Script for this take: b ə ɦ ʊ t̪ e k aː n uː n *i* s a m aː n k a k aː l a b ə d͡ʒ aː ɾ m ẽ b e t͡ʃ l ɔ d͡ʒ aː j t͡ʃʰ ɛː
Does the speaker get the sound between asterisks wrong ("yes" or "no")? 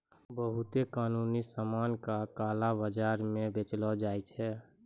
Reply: no